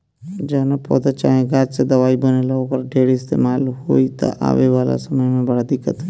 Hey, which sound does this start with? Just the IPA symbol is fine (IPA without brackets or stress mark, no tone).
d͡ʒ